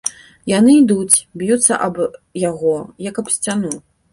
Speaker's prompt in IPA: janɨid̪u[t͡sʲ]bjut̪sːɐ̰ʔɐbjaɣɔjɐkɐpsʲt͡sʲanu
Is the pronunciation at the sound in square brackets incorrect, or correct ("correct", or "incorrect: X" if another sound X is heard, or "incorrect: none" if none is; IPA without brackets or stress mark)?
correct